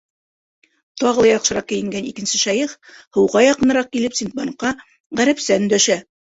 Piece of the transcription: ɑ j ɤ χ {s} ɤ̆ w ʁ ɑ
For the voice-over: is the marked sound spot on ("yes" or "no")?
no